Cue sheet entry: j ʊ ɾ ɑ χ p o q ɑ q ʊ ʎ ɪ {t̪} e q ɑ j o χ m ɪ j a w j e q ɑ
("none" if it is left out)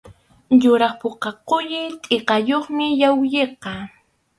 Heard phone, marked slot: t̪ʼ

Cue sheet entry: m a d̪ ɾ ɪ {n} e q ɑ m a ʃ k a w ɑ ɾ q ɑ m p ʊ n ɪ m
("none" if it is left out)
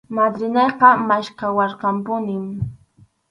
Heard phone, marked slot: n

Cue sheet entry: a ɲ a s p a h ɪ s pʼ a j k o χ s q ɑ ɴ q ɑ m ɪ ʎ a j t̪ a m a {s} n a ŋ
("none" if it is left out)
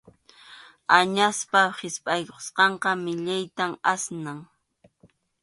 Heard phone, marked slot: s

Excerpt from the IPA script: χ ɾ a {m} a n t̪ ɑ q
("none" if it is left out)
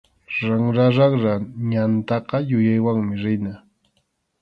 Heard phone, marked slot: ɲ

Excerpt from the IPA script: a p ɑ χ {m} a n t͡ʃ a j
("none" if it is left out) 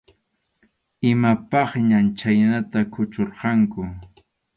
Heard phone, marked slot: ɲ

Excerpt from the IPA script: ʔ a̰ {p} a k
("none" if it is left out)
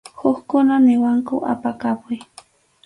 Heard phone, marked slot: p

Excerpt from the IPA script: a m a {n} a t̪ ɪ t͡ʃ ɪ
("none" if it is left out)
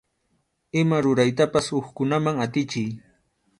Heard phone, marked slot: ŋ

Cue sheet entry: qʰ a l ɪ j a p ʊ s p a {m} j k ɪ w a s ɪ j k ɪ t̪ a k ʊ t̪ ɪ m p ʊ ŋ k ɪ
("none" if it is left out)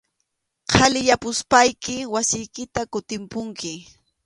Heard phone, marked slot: none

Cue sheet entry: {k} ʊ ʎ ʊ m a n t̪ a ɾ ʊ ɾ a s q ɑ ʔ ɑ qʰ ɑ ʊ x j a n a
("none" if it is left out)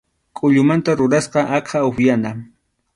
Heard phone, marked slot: kʼ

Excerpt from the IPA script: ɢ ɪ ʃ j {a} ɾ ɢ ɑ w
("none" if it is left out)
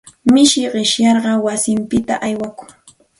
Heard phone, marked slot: ɑ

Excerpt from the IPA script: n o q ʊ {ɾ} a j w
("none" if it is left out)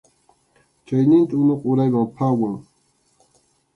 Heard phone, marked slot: ɾ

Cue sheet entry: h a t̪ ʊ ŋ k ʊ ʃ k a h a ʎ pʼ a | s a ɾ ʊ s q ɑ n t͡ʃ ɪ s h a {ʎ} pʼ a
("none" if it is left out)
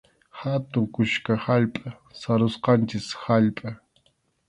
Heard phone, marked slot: ʎ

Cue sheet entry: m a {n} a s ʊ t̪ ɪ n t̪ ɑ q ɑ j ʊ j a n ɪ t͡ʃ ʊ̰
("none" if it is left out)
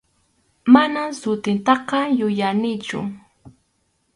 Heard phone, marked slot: n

